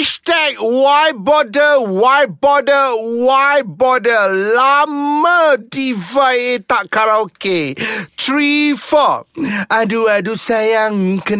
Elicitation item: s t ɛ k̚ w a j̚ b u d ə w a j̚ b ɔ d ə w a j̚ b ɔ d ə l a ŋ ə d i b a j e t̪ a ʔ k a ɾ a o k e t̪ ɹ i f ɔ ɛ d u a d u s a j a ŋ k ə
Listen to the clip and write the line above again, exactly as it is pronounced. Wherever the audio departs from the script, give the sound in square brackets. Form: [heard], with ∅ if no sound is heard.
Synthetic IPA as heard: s t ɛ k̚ w a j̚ b [ɔ] d ə w a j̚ b ɔ d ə w a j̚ b ɔ d ə l a [m] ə d i [v] a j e t̪ a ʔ k a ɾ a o k e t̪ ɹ i f ɔ [a] d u a d u s a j a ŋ k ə